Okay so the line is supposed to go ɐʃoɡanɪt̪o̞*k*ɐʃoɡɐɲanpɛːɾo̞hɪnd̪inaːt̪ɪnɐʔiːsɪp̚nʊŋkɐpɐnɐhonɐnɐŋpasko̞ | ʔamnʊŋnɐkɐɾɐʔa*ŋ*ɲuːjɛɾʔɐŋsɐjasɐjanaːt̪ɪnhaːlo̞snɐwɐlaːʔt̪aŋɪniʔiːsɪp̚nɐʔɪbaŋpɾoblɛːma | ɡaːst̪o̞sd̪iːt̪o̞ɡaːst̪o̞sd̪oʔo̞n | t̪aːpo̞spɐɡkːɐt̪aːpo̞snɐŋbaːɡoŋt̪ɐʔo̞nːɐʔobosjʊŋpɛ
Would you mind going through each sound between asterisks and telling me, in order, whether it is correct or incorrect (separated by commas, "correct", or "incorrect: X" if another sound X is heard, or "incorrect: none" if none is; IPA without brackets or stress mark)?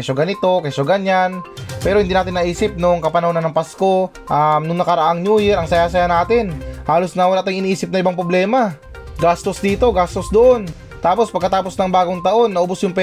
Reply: correct, correct